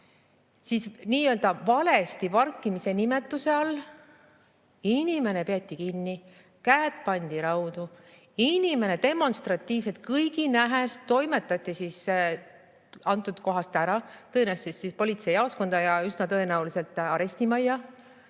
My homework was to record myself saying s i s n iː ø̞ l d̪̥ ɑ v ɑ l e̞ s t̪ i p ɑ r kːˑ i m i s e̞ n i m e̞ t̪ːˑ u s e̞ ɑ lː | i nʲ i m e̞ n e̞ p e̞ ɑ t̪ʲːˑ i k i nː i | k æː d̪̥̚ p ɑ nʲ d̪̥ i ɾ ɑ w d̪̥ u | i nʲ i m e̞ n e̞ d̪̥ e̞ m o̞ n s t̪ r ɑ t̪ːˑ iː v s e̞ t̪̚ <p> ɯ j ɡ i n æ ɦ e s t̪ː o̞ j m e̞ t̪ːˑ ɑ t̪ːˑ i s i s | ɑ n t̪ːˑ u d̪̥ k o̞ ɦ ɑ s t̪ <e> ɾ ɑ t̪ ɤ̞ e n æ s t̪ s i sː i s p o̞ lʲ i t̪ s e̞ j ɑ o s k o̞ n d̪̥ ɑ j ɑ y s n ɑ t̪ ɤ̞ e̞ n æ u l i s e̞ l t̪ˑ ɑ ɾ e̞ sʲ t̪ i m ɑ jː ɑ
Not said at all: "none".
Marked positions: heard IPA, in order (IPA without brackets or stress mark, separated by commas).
k, æ